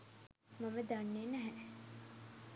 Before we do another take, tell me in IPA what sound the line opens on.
m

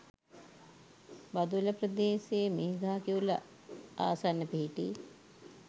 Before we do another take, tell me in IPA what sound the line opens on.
b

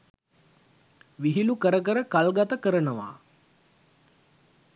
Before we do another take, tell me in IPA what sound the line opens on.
ʋ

